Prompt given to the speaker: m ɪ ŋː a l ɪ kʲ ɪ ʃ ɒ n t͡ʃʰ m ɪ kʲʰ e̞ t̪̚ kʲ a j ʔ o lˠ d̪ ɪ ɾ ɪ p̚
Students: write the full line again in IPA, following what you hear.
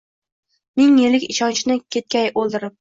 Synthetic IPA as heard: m ɪ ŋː e l ɪ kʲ ɪ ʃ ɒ n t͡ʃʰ n ɪ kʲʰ e̞ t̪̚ kʲ a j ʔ o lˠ d̪ ɪ ɾ ɪ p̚